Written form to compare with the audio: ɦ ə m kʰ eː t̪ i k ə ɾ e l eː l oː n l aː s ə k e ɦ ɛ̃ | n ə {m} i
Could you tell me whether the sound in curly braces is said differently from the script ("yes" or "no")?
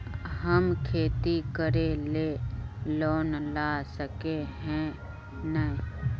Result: yes